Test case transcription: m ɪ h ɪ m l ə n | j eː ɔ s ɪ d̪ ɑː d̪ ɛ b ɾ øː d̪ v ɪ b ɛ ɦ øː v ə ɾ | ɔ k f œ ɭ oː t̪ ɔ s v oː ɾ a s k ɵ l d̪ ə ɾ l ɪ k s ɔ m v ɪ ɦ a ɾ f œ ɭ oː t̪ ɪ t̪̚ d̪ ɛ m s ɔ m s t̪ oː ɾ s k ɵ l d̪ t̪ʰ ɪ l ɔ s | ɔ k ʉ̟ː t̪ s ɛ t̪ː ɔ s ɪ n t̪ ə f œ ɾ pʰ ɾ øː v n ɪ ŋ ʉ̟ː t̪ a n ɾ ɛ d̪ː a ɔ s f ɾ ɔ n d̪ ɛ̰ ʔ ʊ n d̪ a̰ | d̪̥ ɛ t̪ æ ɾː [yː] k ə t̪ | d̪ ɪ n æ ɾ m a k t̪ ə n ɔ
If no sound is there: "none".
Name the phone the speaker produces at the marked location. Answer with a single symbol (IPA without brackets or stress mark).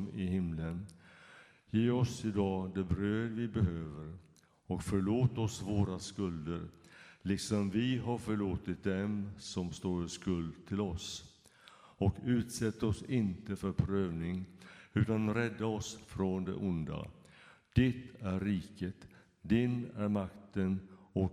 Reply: iː